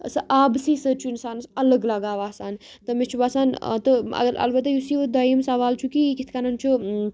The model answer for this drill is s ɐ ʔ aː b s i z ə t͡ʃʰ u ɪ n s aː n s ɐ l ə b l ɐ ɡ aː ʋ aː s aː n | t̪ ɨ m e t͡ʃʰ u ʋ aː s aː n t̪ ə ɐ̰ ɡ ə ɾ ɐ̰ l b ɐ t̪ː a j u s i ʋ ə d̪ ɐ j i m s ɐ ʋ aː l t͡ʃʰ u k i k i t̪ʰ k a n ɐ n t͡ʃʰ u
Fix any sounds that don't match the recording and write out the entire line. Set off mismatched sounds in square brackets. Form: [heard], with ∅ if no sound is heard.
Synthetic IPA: s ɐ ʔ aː b s i [s] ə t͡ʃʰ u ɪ n s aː n s ɐ l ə [ɡ] l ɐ ɡ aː ʋ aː s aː n | t̪ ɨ m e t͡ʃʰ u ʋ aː s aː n t̪ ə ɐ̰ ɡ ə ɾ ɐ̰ l b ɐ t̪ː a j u s i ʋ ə d̪ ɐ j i m s ɐ ʋ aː l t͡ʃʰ u k i k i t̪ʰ k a n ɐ n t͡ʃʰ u